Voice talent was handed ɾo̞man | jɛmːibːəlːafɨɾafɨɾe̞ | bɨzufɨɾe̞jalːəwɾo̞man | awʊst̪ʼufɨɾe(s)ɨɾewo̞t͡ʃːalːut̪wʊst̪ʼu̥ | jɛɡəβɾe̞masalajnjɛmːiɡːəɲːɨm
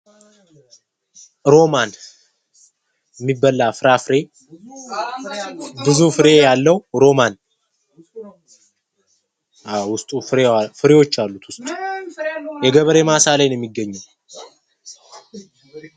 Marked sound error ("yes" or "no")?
yes